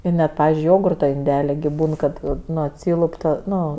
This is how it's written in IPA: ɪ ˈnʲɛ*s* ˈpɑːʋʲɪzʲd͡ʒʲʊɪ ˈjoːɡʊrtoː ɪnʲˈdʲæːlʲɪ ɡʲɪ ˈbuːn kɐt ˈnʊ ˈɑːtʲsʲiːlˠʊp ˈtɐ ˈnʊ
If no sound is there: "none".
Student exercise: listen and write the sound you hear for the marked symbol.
t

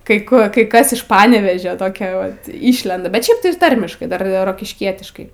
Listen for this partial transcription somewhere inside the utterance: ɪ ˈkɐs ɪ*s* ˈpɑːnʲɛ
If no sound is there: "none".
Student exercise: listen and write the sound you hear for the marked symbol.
ʃ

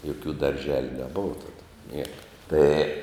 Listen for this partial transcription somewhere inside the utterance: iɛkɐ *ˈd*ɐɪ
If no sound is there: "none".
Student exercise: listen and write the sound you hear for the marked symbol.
t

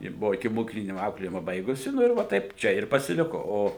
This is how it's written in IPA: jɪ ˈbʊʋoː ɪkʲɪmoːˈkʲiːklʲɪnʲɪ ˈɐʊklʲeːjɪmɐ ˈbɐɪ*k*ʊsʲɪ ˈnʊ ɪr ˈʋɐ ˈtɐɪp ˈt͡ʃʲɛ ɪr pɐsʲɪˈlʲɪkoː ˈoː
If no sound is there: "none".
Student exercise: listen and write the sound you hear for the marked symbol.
ɡ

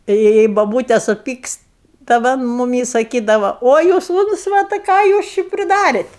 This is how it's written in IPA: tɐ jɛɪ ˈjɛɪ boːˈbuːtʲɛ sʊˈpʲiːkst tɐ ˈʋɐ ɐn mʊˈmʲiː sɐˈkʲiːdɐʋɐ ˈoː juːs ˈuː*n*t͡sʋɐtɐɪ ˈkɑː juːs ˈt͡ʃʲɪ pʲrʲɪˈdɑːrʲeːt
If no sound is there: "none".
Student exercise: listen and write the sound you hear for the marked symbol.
n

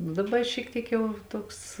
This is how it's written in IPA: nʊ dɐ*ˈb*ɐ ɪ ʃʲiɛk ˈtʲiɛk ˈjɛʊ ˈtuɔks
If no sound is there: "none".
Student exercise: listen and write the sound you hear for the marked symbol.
b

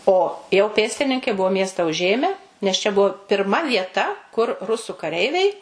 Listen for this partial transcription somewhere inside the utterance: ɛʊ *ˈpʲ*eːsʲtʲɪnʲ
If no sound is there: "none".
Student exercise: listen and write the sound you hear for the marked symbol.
pʲ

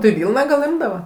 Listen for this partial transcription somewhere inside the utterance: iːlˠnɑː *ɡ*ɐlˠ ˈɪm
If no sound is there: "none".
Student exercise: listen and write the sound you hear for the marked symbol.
ɡ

